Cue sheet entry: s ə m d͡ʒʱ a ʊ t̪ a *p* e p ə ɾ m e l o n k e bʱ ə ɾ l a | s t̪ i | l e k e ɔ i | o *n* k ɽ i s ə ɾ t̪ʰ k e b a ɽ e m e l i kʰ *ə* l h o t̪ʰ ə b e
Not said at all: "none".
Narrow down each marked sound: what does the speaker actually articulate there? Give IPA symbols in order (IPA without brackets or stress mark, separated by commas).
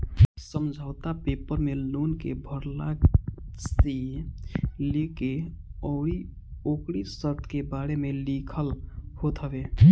p, none, ə